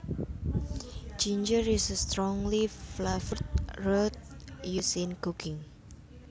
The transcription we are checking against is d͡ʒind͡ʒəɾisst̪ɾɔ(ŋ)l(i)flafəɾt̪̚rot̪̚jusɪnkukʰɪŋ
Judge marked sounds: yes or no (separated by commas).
yes, yes